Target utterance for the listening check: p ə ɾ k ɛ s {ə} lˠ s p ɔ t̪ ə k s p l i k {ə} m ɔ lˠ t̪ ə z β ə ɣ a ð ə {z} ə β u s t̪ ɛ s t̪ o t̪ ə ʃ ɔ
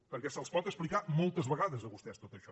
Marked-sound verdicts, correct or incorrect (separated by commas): correct, incorrect, correct